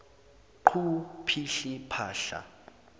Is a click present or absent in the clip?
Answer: present